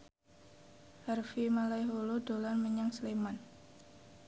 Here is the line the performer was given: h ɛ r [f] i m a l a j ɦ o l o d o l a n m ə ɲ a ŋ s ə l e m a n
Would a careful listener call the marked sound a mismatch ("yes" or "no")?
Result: no